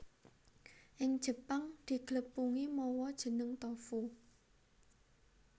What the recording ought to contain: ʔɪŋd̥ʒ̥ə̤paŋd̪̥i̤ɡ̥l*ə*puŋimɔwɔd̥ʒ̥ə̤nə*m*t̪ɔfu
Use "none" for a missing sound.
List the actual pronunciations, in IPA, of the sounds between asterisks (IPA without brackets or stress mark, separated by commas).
ə, ŋ